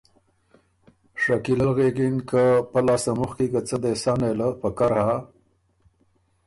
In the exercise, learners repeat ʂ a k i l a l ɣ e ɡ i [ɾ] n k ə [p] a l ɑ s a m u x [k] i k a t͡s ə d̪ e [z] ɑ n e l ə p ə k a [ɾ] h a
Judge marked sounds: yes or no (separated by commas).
no, yes, yes, no, yes